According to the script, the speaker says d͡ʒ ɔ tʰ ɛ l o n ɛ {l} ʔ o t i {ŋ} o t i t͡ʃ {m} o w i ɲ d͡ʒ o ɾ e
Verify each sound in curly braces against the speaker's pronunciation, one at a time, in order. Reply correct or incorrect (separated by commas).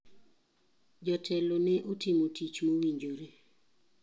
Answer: incorrect, incorrect, correct